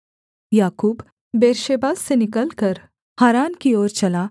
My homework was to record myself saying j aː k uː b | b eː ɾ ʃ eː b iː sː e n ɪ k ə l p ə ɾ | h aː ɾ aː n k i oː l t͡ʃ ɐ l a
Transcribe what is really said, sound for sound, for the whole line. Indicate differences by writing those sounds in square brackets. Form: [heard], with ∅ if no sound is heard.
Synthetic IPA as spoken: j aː k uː b | b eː ɾ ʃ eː b [aː] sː e n ɪ k ə l [k] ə ɾ | h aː ɾ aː n k i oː [ɾ] t͡ʃ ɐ l a